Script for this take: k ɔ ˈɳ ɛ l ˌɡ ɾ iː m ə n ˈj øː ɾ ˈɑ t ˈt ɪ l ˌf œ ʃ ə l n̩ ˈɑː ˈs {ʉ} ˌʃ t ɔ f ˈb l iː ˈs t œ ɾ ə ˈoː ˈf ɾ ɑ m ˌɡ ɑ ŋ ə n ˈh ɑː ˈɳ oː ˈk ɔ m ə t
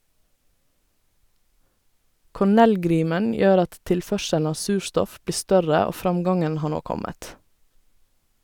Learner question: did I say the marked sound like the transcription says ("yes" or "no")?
no